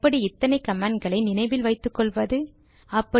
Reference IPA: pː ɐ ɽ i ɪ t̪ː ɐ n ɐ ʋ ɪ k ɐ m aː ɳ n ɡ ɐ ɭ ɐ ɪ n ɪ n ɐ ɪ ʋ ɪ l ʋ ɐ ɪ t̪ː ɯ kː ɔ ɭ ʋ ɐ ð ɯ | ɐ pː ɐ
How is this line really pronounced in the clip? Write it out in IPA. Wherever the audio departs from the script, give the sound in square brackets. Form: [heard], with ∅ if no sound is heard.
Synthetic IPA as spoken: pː ɐ ɽ i ɪ t̪ː ɐ n ɐ [∅] ɪ k ɐ m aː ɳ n ɡ ɐ ɭ ɐ ɪ n ɪ n ɐ ɪ ʋ ɪ l ʋ ɐ ɪ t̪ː ɯ kː ɔ ɭ ʋ ɐ ð ɯ | ɐ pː ɐ